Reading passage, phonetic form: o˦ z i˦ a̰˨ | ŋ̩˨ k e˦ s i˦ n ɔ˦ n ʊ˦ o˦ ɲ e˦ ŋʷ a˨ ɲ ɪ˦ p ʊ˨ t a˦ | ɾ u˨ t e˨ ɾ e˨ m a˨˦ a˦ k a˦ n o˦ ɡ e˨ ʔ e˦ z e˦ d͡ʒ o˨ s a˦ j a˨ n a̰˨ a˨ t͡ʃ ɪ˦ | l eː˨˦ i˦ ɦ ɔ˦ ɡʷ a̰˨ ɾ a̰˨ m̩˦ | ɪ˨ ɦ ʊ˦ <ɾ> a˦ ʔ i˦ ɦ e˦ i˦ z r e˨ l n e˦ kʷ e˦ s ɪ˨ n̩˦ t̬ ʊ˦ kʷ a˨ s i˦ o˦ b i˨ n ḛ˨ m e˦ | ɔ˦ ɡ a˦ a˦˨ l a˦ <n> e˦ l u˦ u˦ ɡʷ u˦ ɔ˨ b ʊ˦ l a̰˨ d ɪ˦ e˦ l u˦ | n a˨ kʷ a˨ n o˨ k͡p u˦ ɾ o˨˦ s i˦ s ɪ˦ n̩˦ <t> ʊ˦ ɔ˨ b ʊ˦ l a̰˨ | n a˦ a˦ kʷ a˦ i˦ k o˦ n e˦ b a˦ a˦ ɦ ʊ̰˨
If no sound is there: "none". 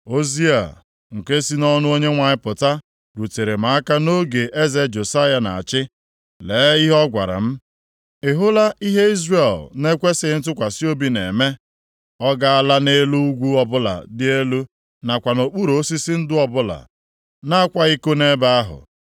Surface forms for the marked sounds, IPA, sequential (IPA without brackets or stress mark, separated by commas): l, n, d